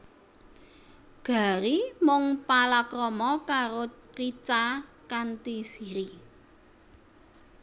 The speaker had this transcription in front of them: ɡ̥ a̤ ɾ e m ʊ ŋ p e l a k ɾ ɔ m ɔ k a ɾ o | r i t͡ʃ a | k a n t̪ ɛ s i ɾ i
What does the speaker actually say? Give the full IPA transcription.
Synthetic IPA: ɡ̥ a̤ ɾ i m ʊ ŋ p a l a k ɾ ɔ m ɔ k a ɾ o | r i t͡ʃ a | k a n t̪ i s i ɾ i